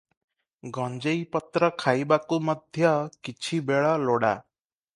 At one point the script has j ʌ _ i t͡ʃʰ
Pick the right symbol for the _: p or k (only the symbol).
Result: k